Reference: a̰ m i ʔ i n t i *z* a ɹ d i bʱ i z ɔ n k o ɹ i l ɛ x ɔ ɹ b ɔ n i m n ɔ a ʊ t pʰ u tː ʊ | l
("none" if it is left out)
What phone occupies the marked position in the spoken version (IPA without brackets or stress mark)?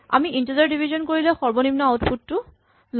z